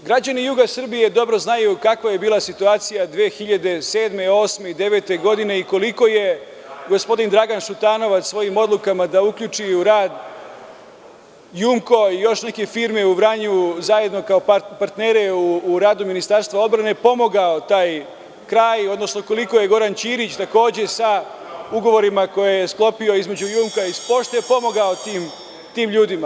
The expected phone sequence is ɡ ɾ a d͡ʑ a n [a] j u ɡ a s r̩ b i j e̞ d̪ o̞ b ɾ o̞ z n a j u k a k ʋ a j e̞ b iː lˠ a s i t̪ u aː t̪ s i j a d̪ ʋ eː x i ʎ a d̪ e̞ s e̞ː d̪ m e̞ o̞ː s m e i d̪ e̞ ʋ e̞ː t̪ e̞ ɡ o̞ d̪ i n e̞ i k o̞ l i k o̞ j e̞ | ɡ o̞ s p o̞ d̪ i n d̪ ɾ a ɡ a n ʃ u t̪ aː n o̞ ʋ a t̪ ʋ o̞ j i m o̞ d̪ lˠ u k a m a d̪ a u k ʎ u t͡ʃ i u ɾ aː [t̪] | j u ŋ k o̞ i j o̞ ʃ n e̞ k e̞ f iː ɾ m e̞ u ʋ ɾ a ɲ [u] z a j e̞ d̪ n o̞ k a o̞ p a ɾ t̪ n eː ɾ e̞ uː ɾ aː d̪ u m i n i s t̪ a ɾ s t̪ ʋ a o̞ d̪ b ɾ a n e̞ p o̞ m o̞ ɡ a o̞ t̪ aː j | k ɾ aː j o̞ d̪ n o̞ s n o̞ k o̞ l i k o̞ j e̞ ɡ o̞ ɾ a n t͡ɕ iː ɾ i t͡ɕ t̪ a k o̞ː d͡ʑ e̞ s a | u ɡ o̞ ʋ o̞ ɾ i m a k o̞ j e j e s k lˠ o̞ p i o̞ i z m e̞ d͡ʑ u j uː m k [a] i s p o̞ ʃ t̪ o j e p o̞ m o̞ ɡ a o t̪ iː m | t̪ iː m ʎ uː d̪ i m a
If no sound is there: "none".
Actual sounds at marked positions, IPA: i, d̪, u, a

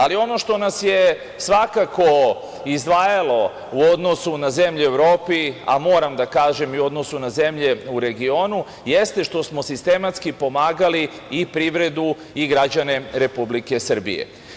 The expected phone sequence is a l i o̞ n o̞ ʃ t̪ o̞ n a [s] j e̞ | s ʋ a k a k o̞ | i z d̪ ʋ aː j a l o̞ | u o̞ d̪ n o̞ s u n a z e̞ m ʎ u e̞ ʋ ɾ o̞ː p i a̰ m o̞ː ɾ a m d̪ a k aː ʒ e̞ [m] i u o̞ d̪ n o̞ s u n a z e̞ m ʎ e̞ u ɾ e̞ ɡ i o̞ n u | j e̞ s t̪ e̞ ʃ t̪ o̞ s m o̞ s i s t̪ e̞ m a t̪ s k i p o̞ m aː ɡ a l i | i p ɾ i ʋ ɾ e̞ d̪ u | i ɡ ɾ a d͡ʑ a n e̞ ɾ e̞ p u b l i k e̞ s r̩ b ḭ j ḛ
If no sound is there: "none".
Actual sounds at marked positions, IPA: s, m

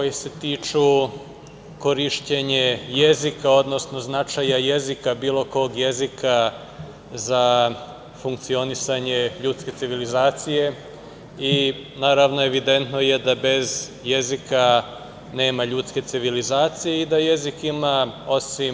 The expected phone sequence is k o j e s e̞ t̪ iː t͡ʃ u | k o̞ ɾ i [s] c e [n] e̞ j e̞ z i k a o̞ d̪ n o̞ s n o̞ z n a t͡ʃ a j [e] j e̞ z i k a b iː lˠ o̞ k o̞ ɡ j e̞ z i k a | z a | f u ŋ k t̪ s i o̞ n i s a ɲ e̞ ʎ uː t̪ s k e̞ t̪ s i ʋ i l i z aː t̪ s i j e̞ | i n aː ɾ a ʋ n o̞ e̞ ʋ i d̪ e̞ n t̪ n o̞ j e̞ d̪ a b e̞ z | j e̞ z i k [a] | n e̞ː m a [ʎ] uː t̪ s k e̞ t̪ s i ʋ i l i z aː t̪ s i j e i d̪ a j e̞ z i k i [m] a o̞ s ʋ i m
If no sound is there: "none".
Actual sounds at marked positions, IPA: ʃ, ɲ, a, a, ʎ, m

